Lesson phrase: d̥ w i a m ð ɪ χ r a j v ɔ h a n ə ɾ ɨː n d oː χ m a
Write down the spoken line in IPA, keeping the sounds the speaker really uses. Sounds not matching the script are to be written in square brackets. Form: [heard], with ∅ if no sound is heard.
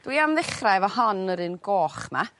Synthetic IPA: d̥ w i a m ð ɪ χ r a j v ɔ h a n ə ɾ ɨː n [ɡ] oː χ m a